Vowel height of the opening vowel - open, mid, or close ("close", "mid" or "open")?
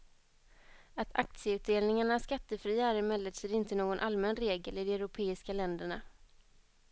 open